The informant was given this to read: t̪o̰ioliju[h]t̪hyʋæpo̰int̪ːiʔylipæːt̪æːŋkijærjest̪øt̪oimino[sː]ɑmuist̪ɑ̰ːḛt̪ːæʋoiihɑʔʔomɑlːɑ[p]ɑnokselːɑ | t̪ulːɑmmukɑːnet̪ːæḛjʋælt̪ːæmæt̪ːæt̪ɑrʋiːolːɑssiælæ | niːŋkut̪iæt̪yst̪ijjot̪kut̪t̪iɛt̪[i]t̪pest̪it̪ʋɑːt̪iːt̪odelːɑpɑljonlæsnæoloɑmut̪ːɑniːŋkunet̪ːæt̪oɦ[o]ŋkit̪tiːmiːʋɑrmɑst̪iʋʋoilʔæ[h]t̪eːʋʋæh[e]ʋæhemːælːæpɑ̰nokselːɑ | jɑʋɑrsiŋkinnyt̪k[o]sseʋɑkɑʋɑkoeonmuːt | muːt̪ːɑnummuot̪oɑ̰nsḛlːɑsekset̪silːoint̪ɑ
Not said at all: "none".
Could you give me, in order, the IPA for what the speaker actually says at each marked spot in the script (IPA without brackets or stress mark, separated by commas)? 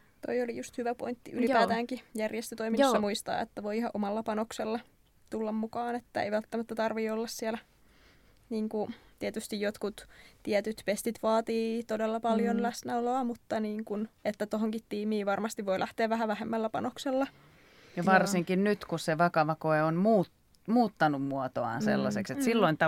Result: s, sː, p, y, o, h, æ, u